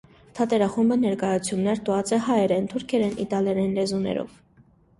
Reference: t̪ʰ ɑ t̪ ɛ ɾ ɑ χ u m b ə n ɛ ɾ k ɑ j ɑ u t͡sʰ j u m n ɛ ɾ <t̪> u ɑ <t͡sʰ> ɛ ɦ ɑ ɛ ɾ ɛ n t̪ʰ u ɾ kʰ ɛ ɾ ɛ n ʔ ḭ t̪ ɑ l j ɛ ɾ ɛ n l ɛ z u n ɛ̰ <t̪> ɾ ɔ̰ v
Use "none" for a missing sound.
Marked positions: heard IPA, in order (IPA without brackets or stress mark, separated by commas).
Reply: t̪, t͡s, none